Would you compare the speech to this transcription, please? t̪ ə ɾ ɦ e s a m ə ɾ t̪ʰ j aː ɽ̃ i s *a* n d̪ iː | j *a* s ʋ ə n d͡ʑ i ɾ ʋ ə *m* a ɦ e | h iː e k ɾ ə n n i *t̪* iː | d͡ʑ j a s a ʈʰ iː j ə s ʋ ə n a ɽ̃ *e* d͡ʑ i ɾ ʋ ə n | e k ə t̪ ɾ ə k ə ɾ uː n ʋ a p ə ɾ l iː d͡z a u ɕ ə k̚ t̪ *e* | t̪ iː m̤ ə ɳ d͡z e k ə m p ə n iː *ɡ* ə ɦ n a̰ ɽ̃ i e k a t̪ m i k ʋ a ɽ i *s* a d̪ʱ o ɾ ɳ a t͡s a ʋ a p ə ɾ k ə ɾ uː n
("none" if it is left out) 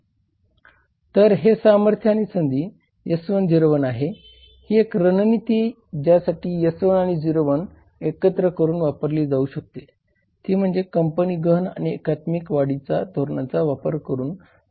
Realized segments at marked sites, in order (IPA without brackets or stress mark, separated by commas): ə, ə, n, t̪, i, e, ɡ, t͡s